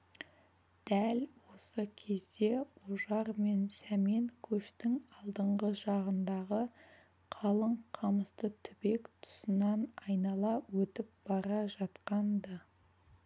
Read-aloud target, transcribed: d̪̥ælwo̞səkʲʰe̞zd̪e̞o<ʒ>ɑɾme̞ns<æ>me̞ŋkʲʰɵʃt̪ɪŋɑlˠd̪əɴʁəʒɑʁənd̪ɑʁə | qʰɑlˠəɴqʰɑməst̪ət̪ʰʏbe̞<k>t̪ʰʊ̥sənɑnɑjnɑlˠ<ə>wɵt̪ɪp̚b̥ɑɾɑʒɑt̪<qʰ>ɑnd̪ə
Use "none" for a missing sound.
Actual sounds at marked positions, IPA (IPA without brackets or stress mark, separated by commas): ʒ, æ, k, ɑ, q